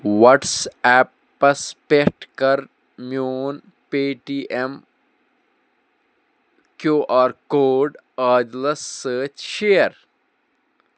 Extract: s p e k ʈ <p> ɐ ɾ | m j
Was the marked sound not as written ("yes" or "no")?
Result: yes